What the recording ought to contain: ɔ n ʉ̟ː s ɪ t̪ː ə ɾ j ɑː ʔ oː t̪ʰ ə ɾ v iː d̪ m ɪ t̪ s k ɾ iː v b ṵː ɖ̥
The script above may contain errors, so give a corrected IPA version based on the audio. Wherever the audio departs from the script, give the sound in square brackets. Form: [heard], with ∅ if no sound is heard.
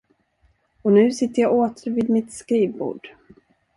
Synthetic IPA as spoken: ɔ n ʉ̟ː s ɪ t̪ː ə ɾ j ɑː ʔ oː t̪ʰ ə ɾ v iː d̪ m ɪ t̪ s k ɾ iː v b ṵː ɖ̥